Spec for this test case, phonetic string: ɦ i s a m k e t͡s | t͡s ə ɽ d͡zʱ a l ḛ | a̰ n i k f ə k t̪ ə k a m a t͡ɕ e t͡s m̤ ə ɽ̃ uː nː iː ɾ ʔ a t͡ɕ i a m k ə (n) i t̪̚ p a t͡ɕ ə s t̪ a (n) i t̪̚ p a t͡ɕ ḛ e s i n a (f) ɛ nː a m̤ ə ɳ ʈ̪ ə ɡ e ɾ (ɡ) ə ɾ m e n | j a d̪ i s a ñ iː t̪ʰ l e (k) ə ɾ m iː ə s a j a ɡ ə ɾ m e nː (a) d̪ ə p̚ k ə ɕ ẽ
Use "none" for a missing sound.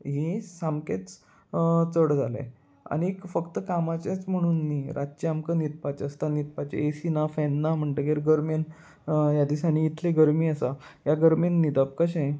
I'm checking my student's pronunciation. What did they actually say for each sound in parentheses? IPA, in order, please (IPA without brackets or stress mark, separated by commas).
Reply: n, n, f, ɡ, ɡ, i